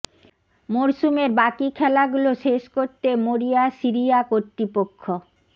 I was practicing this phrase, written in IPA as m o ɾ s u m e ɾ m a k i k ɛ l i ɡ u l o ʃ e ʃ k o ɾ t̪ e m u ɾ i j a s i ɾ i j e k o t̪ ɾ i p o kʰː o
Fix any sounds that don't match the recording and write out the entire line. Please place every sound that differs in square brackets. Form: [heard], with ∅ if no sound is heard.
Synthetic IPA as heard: m o ɾ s u m e ɾ [b] a k i [kʰ] ɛ l [a] ɡ u l o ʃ e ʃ k o ɾ t̪ e m [o] ɾ i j a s i ɾ i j [a] k o t̪ ɾ i p o kʰː o